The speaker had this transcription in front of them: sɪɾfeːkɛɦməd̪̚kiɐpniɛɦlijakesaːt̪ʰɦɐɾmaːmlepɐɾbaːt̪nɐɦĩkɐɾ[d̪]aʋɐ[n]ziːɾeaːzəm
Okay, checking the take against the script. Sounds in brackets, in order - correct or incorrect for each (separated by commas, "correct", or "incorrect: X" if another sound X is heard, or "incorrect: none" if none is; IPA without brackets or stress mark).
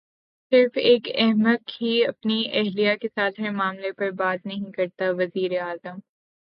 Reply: incorrect: t̪, incorrect: none